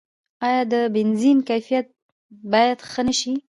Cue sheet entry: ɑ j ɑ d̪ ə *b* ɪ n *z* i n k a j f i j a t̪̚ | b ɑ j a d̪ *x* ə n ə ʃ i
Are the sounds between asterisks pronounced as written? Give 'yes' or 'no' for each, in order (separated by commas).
yes, yes, yes